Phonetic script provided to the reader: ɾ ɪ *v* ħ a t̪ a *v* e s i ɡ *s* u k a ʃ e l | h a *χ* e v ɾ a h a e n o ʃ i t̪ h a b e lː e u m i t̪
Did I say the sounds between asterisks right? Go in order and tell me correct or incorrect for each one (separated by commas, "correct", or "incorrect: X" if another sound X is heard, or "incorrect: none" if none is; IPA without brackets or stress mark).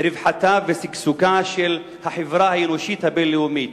correct, correct, correct, incorrect: ħ